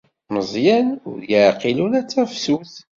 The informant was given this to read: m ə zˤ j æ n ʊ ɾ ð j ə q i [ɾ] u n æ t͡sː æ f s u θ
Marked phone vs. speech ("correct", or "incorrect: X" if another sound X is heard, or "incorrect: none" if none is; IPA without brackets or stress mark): incorrect: l